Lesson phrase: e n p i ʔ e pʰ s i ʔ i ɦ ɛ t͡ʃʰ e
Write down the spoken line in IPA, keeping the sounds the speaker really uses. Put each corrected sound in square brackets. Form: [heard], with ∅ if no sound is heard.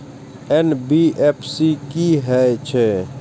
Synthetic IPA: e n [b] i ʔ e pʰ s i [k] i ɦ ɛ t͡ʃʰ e